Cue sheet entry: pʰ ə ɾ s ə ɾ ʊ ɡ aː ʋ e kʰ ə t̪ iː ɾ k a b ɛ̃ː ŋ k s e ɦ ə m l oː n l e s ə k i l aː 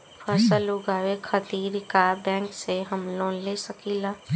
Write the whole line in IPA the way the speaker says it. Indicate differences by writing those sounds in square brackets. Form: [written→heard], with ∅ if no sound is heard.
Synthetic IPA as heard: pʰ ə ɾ s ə [ɾ→l] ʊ ɡ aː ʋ e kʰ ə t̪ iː ɾ k a b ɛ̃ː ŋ k s e ɦ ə m l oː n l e s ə k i l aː